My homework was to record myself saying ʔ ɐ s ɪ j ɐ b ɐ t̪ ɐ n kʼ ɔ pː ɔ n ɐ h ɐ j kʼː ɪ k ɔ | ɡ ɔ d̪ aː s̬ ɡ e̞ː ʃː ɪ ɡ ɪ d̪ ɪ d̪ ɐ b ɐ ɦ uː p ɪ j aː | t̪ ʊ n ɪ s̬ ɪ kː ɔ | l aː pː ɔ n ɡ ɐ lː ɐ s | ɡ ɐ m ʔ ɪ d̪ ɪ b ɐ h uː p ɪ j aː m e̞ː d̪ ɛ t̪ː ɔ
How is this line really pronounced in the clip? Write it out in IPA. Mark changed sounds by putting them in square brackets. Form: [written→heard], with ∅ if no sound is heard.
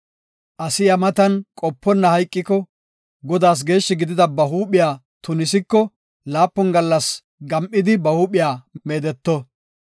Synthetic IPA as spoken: ʔ ɐ s ɪ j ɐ [b→m] ɐ t̪ ɐ n kʼ ɔ pː ɔ [n→nː] ɐ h ɐ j kʼː ɪ k ɔ | ɡ ɔ d̪ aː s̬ ɡ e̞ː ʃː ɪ ɡ ɪ d̪ ɪ d̪ ɐ b ɐ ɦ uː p ɪ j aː | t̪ ʊ n ɪ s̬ ɪ kː ɔ | l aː pː ɔ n ɡ ɐ lː ɐ s | ɡ ɐ m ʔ ɪ d̪ ɪ b ɐ h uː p ɪ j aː m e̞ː d̪ ɛ t̪ː ɔ